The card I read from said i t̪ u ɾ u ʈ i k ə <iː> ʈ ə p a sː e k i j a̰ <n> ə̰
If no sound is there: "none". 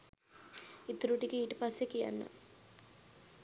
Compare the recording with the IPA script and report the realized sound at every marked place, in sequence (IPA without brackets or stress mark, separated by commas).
iː, nː